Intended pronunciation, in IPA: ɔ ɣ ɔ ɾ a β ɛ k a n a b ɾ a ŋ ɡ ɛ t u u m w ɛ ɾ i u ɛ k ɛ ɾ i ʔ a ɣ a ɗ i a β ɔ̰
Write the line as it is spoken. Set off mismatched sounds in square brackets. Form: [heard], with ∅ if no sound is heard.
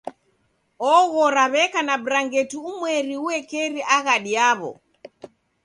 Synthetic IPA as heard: ɔ ɣ ɔ ɾ a β ɛ k a n a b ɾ a ŋ ɡ ɛ t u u m w ɛ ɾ i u ɛ k ɛ ɾ i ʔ a ɣ a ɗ i a β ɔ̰